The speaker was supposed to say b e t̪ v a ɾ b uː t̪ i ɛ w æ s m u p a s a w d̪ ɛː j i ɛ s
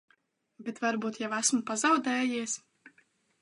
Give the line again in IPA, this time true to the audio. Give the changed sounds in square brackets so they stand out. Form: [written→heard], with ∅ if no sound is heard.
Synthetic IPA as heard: b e t̪ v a ɾ b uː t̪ [i→j] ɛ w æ s m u p a [s→z] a w d̪ ɛː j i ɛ s